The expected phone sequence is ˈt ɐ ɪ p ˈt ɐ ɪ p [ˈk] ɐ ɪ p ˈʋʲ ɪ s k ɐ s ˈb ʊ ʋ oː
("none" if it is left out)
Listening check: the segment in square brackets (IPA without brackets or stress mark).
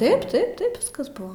t